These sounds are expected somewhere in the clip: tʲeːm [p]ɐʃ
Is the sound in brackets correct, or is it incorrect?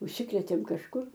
incorrect